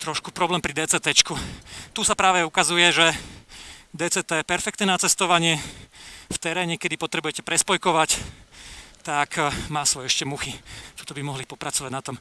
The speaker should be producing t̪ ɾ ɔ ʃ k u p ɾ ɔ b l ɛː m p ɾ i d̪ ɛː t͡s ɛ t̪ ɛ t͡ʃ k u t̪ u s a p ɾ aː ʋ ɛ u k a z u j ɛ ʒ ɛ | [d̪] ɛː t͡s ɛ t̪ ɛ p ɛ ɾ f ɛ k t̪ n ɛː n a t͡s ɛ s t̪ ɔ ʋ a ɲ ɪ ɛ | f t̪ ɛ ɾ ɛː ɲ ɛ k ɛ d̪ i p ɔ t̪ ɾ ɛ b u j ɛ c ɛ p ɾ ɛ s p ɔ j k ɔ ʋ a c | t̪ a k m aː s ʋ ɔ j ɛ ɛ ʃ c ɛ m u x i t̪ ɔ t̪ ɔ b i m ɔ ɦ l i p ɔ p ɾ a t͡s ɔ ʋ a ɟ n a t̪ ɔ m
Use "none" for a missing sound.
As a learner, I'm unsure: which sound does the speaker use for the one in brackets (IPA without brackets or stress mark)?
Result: d̪